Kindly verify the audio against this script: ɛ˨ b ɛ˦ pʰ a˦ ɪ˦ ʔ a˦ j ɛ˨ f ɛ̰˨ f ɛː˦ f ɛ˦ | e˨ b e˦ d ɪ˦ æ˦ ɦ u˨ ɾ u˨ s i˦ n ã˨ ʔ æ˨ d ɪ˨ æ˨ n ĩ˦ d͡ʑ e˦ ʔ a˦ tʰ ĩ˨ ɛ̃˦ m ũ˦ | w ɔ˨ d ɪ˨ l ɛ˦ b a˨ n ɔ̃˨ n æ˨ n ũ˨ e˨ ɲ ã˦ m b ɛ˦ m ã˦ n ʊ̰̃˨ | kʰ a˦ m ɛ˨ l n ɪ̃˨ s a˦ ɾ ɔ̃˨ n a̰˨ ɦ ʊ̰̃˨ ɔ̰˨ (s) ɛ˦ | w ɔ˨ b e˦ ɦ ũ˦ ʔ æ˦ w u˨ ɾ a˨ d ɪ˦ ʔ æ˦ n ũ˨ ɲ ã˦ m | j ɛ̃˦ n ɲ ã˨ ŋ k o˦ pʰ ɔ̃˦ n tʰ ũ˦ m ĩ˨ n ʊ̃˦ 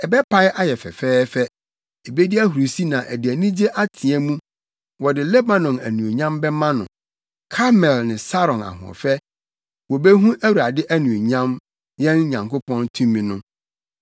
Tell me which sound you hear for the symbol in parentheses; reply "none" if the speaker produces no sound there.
f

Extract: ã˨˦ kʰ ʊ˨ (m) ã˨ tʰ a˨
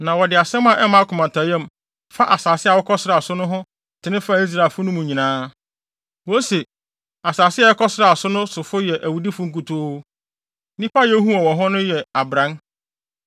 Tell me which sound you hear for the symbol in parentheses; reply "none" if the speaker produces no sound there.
m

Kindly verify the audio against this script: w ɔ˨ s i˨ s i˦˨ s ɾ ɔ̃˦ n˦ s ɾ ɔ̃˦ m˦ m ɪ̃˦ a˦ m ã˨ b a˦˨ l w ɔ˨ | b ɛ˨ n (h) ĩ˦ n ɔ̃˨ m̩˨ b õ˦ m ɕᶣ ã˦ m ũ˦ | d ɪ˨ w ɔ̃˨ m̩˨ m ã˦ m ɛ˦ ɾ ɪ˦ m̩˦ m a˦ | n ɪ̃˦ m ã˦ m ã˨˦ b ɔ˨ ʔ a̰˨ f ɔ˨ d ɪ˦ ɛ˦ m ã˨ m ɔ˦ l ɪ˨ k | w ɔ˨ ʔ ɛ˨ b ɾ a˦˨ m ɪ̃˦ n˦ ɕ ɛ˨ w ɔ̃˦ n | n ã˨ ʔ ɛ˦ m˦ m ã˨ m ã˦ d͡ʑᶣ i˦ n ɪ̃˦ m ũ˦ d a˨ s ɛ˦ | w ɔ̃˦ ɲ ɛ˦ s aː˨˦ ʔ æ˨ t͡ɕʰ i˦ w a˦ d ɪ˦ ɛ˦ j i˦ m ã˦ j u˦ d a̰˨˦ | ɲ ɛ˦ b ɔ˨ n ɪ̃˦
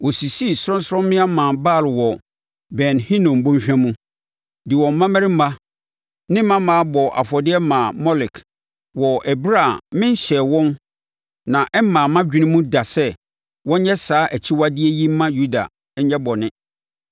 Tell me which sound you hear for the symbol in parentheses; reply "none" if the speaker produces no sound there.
h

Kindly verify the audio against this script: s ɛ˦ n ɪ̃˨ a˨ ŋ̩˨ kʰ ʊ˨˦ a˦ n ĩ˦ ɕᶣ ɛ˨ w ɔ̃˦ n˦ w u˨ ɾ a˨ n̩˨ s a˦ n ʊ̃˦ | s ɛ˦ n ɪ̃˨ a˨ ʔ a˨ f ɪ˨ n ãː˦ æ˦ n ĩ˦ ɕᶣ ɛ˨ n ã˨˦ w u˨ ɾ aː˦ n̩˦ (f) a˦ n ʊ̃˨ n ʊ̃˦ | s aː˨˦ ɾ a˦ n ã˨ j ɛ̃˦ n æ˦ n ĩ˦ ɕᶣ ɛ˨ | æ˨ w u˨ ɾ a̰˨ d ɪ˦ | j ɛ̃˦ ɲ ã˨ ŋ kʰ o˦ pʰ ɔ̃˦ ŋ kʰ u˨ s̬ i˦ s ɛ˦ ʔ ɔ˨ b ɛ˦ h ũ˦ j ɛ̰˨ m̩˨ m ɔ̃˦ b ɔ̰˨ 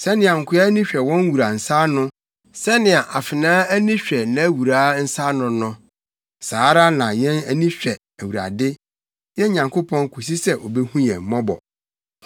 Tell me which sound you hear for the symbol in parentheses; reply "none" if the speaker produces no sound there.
s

